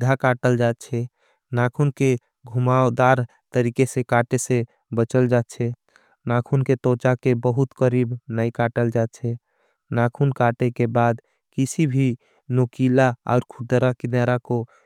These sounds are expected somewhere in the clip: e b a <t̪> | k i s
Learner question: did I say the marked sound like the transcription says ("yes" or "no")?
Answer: no